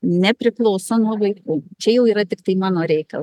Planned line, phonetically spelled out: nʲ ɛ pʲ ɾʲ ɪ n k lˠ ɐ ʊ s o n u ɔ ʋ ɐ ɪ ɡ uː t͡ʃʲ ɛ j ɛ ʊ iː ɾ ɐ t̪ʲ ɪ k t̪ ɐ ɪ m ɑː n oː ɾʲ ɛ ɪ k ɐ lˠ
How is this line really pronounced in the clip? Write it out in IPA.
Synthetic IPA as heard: nʲ ɛ pʲ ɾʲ ɪ k lˠ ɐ ʊ s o n u ɔ ʋ ɐ ɪ k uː t͡ʃʲ ɛ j ɛ ʊ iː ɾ ɐ t̪ʲ ɪ k t̪ ɐ ɪ m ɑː n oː ɾʲ ɛ ɪ k ɐ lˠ